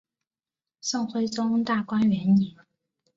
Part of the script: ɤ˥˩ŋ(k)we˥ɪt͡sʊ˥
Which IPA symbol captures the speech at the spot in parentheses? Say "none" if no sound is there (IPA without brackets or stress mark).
x